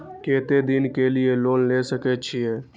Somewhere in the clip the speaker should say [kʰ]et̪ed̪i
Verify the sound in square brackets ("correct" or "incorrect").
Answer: incorrect